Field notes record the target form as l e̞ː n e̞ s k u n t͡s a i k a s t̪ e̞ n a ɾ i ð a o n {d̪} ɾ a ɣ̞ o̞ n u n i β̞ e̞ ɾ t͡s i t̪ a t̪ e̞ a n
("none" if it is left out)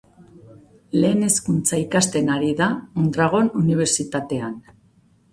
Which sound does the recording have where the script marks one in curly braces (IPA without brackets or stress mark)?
d̪